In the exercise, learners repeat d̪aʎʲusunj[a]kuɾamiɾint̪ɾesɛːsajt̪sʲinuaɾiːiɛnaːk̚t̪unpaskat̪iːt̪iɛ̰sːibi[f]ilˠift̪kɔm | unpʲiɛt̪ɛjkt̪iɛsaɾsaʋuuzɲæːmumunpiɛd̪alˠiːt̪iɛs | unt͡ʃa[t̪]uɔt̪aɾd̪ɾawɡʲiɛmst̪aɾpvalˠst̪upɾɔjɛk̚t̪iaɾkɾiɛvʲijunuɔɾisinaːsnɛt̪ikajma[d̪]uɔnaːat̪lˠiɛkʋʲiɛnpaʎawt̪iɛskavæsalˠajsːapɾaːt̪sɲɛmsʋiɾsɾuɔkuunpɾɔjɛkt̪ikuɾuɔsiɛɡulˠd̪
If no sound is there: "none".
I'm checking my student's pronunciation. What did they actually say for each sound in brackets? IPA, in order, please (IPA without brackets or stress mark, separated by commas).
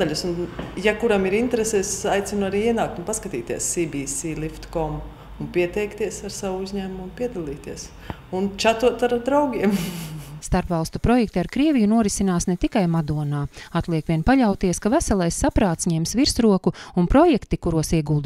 a, s, t̪, d̪